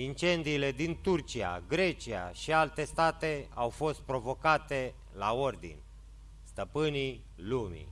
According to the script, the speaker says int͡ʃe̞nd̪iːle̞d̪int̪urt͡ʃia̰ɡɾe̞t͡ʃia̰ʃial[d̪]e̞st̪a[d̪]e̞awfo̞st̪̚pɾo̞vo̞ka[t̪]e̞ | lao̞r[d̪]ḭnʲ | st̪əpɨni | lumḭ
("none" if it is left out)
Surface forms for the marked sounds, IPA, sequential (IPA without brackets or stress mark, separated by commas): t̪, t̪, t̪, d̪